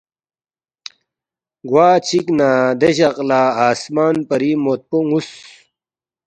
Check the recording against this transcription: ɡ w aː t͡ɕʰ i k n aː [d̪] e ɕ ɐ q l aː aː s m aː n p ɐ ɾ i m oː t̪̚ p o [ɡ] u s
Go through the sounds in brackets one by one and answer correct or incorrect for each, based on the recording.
correct, incorrect: ŋ

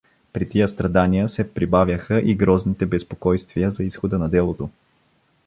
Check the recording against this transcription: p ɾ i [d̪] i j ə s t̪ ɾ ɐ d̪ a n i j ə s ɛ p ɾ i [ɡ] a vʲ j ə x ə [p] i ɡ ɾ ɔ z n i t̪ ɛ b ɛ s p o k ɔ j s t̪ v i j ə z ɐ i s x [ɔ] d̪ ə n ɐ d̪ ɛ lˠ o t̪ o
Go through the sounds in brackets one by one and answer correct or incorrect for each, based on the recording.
incorrect: t̪, incorrect: b, incorrect: ʔ, incorrect: o

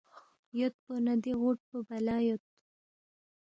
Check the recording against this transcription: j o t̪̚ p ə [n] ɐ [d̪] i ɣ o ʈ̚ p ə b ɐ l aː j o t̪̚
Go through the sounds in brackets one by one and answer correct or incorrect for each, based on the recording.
correct, correct

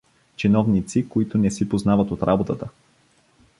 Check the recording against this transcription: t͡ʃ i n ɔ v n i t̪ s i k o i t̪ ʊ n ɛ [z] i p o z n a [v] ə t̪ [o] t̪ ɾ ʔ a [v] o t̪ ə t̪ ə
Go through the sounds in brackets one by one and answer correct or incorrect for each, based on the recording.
incorrect: s, correct, correct, incorrect: b

